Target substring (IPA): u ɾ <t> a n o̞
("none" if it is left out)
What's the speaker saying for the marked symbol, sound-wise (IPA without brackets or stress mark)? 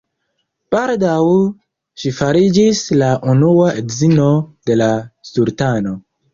t